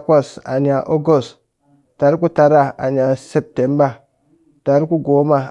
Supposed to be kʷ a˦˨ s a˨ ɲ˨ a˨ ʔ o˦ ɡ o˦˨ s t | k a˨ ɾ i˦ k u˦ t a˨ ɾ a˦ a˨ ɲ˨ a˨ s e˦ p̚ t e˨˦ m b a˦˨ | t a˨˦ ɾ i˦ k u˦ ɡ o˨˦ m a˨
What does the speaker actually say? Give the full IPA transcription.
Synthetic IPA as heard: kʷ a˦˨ s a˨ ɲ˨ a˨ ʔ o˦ ɡ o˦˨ s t | t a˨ ɾ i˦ k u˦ t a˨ ɾ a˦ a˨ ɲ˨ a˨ s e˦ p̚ t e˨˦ m b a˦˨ | t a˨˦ ɾ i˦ k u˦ ɡ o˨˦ m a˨